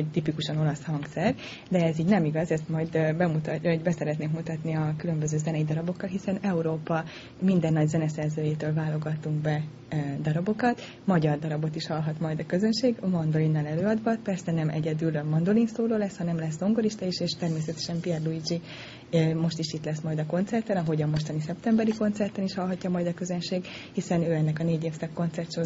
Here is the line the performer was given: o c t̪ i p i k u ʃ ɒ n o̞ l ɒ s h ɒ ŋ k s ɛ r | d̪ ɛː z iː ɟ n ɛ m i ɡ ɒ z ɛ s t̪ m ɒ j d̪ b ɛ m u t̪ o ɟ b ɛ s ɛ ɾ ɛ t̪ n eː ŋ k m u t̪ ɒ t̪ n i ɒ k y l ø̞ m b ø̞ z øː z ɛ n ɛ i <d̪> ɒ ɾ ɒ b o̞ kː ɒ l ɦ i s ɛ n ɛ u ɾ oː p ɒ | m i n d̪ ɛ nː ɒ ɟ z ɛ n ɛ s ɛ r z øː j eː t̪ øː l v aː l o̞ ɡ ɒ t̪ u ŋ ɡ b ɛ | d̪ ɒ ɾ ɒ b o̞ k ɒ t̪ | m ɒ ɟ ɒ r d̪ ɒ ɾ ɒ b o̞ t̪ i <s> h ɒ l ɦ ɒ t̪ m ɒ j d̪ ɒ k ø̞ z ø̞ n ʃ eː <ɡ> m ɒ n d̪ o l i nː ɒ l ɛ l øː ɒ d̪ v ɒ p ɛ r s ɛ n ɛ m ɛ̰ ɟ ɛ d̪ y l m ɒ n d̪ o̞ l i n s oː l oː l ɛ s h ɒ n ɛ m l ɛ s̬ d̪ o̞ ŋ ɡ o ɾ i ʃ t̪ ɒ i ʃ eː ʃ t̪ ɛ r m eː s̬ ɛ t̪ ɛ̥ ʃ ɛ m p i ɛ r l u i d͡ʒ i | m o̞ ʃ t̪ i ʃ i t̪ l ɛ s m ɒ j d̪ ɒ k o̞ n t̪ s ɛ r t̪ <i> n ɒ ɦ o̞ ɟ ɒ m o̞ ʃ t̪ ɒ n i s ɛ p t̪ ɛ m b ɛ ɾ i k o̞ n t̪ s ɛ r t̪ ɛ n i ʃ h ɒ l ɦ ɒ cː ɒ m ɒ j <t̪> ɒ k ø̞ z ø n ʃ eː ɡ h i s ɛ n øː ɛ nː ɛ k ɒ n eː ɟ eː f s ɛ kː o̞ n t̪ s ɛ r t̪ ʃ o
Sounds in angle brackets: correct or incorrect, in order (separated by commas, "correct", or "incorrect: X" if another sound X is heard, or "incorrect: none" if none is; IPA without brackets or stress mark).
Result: correct, incorrect: ʃ, correct, incorrect: ɛ, incorrect: d̪